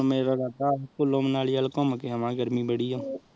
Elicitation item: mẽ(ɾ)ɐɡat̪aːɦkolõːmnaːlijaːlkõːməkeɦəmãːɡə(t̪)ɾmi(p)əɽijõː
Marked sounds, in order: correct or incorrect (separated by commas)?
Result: correct, incorrect, incorrect